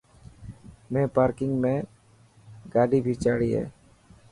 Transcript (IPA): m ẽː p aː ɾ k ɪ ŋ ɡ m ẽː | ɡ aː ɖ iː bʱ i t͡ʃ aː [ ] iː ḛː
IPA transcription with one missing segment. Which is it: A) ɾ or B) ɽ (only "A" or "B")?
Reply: B